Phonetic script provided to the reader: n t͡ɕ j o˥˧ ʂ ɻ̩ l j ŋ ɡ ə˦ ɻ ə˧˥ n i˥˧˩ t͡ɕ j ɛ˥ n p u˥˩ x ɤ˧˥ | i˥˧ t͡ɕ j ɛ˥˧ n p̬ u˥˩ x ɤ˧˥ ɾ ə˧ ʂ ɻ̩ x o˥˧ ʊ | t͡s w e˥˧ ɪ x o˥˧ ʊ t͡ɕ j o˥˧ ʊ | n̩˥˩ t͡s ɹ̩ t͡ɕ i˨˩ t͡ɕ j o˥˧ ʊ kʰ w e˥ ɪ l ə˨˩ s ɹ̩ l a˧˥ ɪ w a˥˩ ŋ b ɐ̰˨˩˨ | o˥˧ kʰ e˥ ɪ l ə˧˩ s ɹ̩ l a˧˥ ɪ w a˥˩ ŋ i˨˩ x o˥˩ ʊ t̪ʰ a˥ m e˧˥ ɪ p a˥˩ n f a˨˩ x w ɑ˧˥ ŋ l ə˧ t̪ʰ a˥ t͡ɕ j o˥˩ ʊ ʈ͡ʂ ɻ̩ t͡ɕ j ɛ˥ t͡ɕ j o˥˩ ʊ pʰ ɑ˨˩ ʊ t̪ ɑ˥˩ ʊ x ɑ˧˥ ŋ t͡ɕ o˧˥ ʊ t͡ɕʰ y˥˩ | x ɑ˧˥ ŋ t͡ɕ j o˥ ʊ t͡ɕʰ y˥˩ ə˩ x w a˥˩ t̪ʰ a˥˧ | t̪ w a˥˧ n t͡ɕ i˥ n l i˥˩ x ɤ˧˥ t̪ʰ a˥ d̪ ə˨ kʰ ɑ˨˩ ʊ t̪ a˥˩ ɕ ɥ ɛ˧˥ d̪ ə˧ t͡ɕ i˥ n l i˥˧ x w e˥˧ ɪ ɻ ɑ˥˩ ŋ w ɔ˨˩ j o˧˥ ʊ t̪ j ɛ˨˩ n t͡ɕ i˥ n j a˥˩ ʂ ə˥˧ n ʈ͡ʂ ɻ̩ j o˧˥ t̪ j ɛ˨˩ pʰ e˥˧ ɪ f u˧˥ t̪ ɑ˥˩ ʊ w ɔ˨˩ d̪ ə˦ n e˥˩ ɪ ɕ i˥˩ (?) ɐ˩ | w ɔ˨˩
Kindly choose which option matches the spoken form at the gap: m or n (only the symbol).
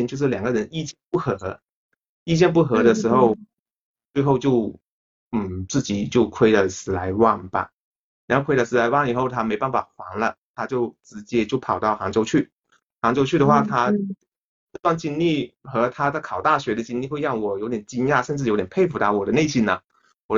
n